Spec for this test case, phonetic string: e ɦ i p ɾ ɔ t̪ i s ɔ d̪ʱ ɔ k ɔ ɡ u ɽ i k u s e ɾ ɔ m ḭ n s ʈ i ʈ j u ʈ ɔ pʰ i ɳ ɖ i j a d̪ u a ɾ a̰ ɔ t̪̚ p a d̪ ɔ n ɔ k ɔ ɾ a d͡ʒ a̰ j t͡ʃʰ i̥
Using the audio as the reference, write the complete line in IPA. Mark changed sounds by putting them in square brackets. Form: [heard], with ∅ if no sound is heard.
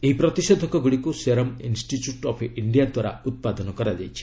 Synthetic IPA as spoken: e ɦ i p ɾ ɔ t̪ i s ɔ d̪ʱ ɔ k ɔ ɡ u ɽ i k u s e ɾ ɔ m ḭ n s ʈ i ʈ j u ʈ ɔ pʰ i ɳ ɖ i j a d̪ [w] a ɾ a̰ [u] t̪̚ p a d̪ ɔ n ɔ k ɔ ɾ a d͡ʒ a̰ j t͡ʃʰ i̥